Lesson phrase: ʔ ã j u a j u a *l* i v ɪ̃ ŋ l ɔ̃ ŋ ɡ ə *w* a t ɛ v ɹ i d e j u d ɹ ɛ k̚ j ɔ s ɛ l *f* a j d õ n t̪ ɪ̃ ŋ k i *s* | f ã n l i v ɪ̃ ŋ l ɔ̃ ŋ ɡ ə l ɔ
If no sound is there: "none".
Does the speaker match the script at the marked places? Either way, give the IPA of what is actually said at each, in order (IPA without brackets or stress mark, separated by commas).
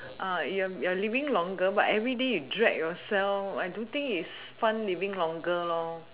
l, b, f, s